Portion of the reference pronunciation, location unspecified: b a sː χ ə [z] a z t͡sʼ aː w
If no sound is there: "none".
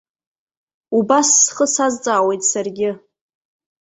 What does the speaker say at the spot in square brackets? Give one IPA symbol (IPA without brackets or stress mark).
s